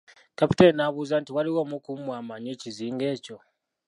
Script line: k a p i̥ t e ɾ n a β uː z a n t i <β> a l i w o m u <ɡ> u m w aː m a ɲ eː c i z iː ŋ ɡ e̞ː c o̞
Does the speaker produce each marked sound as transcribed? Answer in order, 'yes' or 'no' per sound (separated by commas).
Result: no, no